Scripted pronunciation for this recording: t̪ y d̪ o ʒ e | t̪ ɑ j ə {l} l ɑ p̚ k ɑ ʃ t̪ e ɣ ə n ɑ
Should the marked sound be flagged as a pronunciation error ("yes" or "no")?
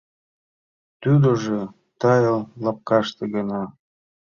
no